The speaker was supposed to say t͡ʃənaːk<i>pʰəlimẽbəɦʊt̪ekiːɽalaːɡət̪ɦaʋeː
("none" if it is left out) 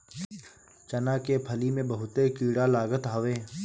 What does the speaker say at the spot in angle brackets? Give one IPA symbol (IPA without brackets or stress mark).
e